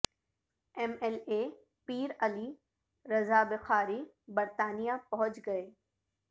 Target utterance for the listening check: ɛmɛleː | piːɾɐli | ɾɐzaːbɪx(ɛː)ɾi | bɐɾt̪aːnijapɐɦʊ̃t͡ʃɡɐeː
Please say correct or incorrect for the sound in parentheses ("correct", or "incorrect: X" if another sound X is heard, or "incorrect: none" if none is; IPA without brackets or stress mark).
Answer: incorrect: aː